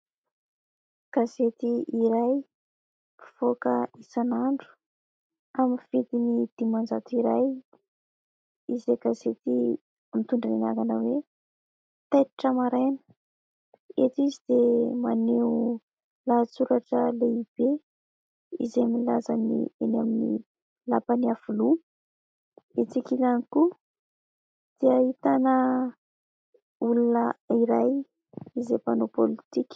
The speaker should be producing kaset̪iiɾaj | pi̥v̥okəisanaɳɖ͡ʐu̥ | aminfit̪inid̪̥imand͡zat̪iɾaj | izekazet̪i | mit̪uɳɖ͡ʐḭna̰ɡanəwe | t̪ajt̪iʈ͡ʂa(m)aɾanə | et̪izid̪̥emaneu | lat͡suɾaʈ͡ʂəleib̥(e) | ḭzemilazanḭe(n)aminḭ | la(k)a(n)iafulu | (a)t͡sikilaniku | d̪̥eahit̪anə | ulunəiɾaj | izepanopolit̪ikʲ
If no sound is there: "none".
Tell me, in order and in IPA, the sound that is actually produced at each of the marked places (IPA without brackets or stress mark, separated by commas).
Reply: m, e, n, p, n, e